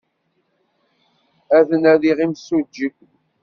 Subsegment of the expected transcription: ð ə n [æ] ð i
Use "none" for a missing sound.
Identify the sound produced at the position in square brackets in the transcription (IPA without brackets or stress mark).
æ